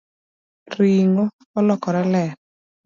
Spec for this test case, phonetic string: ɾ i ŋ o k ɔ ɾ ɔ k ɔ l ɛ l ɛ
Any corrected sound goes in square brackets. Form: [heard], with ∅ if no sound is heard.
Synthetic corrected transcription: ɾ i ŋ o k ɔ [l] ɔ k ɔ [ɾ] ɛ l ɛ